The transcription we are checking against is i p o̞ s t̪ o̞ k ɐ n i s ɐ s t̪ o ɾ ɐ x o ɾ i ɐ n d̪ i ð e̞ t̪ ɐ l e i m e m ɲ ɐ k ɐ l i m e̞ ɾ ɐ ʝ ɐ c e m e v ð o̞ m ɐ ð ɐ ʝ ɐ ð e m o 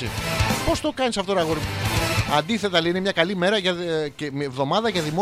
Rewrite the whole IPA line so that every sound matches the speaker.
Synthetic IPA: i p o̞ s t̪ o̞ k ɐ n i s ɐ f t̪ o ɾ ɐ ɣ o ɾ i ɐ n d̪ i θ e̞ t̪ ɐ l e i n e m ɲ ɐ k ɐ l i m e̞ ɾ ɐ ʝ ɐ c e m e v ð o̞ m ɐ ð ɐ ʝ ɐ ð i m o